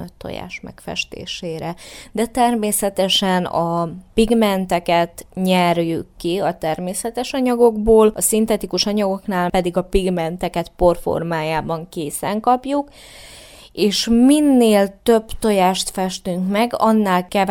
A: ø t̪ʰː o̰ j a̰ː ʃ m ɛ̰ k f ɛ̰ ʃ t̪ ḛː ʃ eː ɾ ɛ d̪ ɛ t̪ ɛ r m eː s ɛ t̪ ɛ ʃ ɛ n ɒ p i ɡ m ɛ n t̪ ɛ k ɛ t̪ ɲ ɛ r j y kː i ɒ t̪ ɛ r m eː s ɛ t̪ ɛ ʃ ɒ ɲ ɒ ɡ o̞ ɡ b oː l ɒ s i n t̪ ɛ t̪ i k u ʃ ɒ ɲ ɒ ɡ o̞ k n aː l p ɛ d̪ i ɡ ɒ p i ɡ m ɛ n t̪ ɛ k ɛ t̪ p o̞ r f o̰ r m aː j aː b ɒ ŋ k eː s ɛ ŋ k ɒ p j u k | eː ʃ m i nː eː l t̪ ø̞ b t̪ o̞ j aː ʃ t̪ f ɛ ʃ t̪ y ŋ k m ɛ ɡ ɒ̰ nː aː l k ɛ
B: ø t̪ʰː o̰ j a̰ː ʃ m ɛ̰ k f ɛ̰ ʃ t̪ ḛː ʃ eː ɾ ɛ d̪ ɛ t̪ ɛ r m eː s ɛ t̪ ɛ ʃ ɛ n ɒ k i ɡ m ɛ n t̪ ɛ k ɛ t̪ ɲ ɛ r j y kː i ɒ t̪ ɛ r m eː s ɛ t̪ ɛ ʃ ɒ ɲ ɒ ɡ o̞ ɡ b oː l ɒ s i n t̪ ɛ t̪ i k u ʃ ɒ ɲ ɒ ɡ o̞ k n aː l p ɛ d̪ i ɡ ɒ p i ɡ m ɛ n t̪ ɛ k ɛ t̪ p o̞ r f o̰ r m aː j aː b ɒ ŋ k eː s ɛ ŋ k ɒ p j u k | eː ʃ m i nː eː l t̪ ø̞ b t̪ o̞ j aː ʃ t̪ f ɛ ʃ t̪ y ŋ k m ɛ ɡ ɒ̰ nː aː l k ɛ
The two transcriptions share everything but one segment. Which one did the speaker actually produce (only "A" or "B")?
A